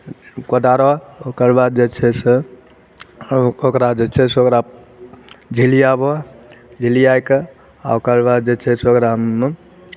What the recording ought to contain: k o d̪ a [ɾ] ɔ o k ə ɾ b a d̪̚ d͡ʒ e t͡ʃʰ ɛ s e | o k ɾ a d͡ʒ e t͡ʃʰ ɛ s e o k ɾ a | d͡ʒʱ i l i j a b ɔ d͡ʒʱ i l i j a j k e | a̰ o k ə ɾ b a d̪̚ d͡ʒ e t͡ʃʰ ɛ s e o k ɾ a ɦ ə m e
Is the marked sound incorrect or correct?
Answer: correct